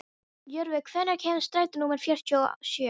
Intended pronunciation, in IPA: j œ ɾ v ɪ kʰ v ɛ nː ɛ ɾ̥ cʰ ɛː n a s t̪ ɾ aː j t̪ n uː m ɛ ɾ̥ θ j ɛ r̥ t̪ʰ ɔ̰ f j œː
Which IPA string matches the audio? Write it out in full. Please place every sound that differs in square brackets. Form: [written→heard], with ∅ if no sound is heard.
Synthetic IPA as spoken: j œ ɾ v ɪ kʰ v ɛ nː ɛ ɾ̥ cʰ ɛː n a s t̪ ɾ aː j t̪ n uː m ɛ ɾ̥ [θ→f] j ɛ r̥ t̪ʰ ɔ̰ [f→s] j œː